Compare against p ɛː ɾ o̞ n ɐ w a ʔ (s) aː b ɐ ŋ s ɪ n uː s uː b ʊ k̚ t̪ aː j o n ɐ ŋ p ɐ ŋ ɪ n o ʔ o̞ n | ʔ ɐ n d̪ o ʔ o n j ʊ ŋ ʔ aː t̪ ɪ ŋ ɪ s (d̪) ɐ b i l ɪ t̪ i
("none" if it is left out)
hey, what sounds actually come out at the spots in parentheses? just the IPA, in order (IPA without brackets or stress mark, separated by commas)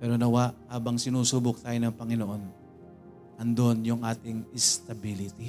h, t̪